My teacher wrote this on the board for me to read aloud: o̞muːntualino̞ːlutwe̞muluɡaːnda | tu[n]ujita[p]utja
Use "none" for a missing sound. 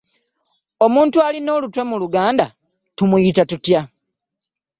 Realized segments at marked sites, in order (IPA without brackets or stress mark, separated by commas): m, t